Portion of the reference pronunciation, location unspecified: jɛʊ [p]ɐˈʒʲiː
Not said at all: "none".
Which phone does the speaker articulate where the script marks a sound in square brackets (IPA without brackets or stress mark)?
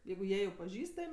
p